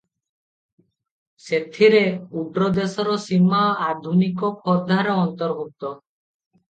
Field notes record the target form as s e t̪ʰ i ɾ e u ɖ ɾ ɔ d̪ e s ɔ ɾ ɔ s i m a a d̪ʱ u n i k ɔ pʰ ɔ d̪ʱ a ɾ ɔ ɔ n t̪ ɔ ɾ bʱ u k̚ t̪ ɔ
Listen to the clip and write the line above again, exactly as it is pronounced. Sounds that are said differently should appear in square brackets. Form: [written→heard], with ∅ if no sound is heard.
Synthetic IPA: s e t̪ʰ i ɾ e u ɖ ɾ ɔ d̪ e s ɔ ɾ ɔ s i m a a d̪ʱ u n i k ɔ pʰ ɔ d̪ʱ a ɾ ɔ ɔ n t̪ ɔ ɾ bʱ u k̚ t̪ ɔ